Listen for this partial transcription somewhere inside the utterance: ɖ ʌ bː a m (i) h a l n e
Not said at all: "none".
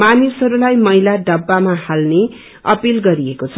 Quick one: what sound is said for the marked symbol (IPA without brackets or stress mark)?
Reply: a